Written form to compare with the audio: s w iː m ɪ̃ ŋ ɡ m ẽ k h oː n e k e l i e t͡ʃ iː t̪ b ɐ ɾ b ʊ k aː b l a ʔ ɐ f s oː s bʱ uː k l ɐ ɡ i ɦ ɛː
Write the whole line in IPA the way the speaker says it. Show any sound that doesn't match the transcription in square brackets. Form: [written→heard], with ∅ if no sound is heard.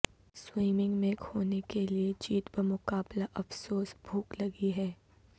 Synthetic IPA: s w iː m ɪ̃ ŋ ɡ m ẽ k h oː n e k e l i e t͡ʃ iː t̪ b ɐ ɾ [b→m] ʊ k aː b l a ʔ ɐ f s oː s bʱ uː k l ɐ ɡ i ɦ ɛː